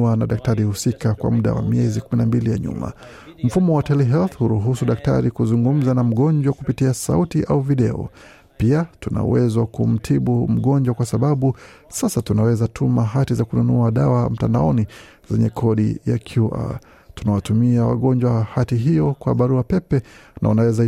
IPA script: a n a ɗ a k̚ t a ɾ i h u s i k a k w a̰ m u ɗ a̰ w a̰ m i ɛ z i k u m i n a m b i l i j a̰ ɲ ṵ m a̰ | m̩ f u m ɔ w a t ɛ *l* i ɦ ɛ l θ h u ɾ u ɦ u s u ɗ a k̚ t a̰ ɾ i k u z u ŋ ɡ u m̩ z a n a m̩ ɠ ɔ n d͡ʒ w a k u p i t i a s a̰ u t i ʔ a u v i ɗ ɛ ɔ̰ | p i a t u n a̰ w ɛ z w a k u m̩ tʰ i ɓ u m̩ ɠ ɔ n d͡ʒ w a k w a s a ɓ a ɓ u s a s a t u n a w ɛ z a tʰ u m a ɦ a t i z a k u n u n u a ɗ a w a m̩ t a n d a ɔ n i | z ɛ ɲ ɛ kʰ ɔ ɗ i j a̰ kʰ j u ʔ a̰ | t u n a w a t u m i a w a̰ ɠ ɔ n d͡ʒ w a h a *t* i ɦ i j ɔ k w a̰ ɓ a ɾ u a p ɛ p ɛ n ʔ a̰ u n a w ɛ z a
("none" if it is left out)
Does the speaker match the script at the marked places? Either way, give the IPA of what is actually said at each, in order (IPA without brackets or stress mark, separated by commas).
l, t